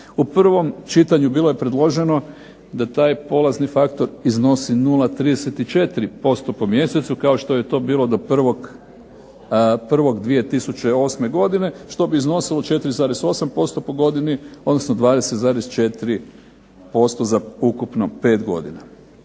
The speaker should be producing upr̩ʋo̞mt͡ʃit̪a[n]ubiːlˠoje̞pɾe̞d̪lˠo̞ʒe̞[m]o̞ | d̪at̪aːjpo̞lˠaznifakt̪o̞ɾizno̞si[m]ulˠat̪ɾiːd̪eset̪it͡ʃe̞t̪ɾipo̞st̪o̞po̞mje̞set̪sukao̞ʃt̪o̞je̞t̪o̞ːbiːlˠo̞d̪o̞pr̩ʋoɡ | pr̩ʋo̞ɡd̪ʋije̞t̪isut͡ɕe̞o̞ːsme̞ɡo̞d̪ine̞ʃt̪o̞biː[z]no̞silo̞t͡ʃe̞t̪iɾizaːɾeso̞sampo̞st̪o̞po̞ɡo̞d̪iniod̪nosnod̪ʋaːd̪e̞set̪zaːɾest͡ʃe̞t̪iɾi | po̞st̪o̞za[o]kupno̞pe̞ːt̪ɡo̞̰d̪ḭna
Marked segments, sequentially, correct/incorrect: incorrect: ɲ, incorrect: n, incorrect: n, correct, incorrect: u

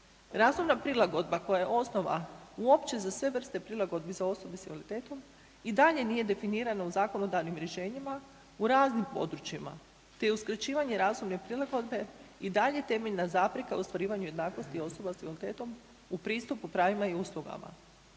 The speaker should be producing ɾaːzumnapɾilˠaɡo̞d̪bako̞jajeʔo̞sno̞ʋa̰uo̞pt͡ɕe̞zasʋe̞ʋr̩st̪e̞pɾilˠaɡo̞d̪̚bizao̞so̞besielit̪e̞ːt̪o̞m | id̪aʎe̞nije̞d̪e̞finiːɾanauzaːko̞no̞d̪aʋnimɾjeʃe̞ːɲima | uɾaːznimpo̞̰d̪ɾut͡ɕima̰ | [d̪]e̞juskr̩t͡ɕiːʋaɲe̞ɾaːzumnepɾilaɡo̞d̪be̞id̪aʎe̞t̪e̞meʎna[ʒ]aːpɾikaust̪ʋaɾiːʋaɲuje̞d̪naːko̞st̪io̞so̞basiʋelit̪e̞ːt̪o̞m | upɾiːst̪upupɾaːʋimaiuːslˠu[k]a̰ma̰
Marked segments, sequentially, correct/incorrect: incorrect: t̪, incorrect: z, incorrect: ɡ

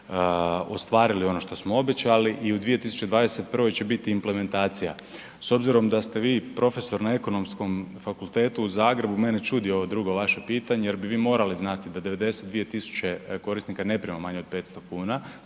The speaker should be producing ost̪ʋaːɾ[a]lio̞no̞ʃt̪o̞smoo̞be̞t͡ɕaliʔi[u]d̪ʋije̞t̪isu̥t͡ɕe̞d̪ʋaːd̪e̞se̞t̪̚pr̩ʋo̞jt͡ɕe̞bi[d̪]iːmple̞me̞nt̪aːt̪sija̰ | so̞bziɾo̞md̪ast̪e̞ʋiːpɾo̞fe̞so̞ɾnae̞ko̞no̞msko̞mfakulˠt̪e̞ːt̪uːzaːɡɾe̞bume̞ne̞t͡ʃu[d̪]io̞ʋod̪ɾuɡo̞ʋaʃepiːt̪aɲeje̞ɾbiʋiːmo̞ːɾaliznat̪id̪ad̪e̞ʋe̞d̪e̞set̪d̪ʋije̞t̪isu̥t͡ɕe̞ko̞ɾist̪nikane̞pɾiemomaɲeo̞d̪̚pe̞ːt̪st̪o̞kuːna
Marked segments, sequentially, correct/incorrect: incorrect: i, correct, incorrect: t̪, correct

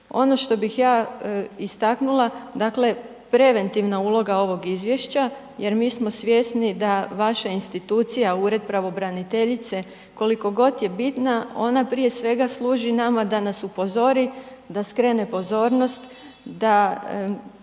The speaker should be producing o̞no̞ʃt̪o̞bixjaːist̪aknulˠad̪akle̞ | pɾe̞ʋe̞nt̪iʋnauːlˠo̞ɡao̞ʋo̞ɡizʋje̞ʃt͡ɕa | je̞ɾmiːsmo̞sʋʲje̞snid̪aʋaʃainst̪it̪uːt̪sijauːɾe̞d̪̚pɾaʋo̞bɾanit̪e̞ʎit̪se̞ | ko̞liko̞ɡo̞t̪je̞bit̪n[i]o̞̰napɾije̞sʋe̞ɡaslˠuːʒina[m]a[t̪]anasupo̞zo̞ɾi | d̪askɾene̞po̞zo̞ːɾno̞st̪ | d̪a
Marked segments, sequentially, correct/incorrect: incorrect: a, correct, incorrect: d̪

